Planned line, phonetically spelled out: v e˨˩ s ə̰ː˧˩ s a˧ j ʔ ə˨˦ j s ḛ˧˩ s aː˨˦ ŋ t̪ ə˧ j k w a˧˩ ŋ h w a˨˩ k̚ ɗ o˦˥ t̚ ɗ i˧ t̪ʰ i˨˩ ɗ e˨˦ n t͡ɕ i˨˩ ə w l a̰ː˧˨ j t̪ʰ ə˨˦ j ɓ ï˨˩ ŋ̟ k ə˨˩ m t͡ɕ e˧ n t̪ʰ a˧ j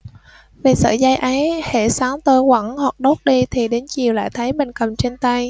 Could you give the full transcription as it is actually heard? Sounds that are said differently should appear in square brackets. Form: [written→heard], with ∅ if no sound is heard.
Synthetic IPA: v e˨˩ s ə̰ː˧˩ [s→z] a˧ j ʔ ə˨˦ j [s→h] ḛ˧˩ s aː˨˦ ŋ t̪ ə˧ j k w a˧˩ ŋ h w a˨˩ k̚ ɗ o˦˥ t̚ ɗ i˧ t̪ʰ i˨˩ ɗ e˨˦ n t͡ɕ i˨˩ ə w l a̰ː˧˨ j t̪ʰ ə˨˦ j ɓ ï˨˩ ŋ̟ k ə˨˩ m t͡ɕ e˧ n [t̪ʰ→t̪] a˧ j